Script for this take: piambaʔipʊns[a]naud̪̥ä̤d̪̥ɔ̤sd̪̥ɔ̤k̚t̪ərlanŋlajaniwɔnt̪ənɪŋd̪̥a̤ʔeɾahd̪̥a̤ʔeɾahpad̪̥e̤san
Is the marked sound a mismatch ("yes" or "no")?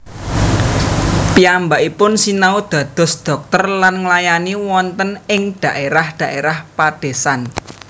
yes